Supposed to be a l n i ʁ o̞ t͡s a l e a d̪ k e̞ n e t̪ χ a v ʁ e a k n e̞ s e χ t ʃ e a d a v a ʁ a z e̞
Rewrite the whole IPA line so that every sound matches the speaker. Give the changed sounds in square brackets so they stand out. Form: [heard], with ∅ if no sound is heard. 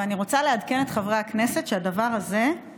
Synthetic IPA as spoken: a [∅] n i ʁ o̞ t͡s a l e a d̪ k e̞ n e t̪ χ a v ʁ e a k n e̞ s e [∅] t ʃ e a d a v a ʁ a z e̞